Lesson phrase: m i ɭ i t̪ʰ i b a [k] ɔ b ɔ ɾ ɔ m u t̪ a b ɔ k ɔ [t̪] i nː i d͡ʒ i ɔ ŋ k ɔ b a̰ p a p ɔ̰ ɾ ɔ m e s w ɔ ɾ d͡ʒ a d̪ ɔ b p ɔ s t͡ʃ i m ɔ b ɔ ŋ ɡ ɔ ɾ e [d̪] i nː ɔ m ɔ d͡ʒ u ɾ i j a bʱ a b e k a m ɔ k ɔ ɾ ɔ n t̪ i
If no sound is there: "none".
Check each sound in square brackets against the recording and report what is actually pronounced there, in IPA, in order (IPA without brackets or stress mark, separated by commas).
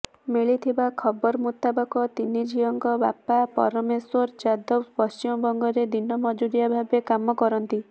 kʰ, t̪, d̪